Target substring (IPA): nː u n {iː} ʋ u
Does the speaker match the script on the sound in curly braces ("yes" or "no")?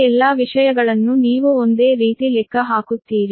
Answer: yes